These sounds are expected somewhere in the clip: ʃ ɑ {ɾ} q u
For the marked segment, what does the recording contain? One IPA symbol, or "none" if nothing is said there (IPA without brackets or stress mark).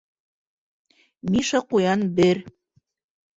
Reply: none